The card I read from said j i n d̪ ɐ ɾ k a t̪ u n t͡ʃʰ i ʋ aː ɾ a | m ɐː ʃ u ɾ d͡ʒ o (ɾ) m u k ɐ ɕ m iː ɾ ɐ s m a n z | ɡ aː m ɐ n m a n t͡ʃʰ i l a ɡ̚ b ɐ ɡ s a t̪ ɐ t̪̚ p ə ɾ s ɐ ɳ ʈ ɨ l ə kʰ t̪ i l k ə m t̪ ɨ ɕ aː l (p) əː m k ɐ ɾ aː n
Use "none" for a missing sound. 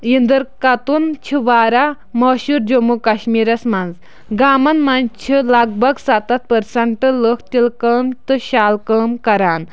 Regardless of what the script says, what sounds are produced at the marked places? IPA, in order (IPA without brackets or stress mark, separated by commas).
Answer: none, k